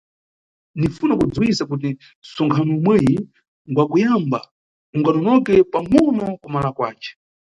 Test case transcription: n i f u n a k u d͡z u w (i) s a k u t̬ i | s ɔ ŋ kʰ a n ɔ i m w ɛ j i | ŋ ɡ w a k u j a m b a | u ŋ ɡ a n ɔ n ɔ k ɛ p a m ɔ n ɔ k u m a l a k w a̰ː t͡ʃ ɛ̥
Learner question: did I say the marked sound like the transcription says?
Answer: yes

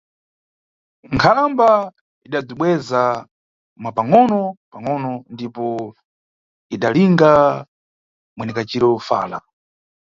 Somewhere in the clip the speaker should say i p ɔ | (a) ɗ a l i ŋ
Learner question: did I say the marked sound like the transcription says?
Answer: no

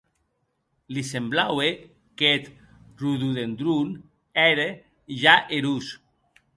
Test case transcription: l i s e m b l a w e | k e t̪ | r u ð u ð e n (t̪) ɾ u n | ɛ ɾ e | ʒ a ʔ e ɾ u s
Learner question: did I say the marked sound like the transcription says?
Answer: no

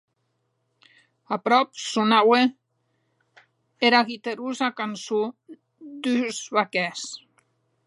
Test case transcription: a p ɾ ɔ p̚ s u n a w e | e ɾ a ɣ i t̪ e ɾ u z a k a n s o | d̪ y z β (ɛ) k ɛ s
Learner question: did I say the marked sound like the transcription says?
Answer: no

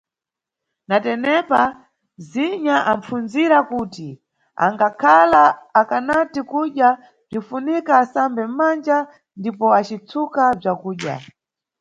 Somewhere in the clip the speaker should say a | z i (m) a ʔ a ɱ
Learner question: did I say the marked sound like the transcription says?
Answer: no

